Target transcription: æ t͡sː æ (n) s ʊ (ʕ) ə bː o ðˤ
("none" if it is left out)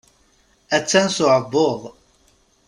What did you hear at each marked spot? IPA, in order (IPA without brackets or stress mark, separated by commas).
n, ʕ